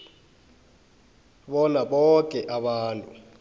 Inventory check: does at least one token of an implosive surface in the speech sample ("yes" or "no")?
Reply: yes